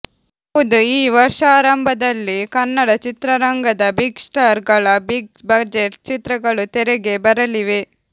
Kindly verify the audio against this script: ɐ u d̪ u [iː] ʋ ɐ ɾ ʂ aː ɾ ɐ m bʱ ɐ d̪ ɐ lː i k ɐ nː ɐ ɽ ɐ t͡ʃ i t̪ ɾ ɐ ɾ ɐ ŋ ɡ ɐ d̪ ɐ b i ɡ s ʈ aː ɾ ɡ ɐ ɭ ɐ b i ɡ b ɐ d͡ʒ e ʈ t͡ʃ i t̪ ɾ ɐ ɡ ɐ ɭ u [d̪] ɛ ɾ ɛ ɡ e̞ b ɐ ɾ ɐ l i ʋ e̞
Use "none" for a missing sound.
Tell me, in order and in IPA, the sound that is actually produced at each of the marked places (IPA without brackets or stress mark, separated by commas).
iː, t̪